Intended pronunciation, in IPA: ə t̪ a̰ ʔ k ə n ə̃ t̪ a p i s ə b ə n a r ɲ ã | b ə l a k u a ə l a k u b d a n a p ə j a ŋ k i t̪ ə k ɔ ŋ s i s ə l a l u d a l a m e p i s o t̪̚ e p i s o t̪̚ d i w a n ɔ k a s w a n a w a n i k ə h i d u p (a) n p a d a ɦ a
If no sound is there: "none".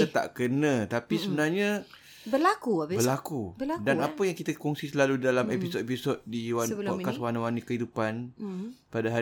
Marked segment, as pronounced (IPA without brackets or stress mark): a